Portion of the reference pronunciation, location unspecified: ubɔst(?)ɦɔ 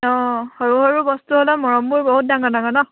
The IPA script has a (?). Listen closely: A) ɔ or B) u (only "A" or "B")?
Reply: B